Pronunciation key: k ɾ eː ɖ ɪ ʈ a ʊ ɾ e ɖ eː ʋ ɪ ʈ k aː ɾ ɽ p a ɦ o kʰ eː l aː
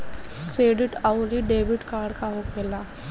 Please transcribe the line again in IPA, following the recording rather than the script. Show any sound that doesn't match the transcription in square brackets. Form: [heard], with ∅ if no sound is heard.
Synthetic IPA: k ɾ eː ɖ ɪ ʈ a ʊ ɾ [i] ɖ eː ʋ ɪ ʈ k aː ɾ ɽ [k] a ɦ o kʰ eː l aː